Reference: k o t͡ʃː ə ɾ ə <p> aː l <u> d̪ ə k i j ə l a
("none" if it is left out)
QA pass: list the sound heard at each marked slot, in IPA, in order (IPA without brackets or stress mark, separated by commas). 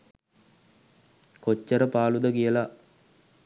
p, u